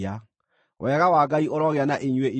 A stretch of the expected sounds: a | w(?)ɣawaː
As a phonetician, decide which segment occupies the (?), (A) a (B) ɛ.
B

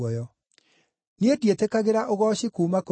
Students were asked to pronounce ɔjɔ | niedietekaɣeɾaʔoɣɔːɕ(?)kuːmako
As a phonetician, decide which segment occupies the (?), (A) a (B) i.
B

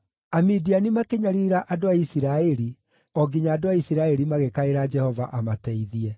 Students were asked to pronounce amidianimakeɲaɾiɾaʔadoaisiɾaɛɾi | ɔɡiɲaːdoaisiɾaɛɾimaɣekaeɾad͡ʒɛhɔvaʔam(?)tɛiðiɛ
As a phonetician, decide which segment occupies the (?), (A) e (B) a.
B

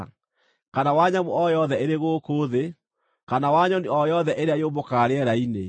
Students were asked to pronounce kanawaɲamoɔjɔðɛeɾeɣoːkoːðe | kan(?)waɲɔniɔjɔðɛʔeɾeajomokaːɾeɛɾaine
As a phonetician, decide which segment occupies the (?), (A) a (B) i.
A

